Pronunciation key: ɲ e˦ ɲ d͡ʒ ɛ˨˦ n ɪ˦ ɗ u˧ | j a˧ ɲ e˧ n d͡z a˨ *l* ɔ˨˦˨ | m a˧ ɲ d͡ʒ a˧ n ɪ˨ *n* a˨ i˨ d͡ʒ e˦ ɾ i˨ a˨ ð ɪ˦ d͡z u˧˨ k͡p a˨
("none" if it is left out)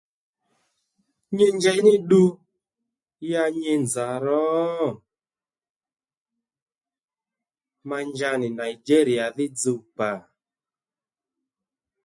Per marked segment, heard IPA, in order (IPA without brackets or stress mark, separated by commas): ɾ, n